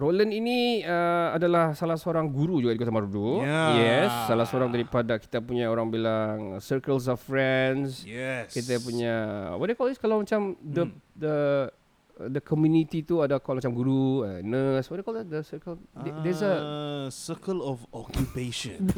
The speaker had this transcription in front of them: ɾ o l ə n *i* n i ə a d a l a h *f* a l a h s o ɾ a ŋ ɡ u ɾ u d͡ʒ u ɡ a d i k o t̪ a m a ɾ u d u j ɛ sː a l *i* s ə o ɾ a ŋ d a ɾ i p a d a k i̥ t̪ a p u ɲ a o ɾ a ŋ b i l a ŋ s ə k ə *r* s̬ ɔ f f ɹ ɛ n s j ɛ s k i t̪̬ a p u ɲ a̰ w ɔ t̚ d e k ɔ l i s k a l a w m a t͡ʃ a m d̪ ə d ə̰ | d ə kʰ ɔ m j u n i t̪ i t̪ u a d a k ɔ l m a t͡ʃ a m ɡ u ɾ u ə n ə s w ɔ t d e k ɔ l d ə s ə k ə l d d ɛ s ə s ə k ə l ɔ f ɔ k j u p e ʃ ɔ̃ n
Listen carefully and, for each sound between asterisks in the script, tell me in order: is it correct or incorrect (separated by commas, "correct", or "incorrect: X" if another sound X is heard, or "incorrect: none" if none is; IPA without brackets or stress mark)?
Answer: correct, incorrect: s, incorrect: a, incorrect: l